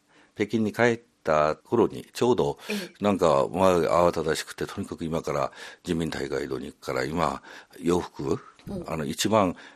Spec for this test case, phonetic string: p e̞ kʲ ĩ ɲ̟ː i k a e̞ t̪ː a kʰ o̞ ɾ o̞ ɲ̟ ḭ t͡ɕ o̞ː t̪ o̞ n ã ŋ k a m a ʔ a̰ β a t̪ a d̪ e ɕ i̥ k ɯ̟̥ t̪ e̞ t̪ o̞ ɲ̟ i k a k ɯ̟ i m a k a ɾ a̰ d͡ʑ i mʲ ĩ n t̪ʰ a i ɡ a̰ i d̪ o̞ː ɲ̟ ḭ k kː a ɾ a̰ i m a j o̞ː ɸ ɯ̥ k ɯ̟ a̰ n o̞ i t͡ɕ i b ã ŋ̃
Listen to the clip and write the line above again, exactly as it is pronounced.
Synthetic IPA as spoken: p e̞ kʲ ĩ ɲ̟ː i k a e̞ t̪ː a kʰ o̞ ɾ o̞ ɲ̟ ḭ t͡ɕ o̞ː d̪ o̞ n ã ŋ k a m a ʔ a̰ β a t̪ a d̪ a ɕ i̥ k ɯ̟̥ t̪ e̞ t̪ o̞ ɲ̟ i k a k ɯ̟ i m a k a ɾ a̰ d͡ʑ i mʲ ĩ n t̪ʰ a i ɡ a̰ i d̪ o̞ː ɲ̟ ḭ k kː a ɾ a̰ i m a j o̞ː ɸ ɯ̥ k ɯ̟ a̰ n o̞ i t͡ɕ i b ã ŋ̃